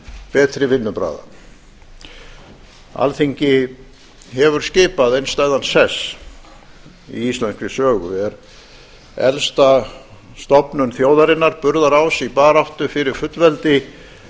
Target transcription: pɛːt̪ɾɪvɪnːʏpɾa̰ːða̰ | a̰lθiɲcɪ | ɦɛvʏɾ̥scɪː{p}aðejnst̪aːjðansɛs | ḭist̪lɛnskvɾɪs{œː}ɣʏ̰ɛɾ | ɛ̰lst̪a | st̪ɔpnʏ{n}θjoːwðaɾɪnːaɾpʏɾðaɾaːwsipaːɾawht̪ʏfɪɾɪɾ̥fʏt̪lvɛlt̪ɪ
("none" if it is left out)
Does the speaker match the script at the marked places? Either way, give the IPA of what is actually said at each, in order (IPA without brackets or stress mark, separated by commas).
p, œː, n